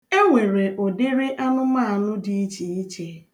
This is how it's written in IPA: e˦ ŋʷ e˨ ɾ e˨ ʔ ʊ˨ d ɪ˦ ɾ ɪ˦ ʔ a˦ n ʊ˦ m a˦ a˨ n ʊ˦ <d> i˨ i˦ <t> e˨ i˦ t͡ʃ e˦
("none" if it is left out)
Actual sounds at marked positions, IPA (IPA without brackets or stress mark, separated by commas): d, t͡ʃ